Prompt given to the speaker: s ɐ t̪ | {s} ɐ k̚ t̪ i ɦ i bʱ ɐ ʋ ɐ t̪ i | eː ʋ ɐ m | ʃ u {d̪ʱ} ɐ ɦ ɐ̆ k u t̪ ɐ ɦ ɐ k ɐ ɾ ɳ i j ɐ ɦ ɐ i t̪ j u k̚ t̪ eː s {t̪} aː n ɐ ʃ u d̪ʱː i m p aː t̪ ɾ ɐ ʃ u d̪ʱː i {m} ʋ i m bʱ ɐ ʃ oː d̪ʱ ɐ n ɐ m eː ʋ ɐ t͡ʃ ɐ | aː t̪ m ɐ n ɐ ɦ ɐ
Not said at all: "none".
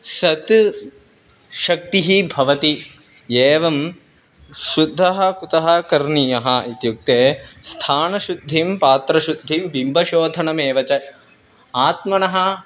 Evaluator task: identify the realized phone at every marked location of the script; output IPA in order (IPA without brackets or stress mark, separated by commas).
ʃ, d̪ʱː, t̪ʰ, m